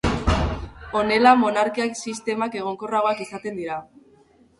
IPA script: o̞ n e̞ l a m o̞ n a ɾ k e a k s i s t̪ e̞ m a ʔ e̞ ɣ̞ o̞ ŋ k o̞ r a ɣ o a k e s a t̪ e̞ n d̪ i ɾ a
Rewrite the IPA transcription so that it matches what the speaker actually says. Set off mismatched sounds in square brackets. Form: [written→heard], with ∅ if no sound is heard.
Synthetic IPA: o̞ n e̞ l a m o̞ n a ɾ k [e→i] a k s i s t̪ e̞ m a [ʔ→k] e̞ ɣ̞ o̞ ŋ k o̞ r a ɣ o a k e s a t̪ e̞ n d̪ i ɾ a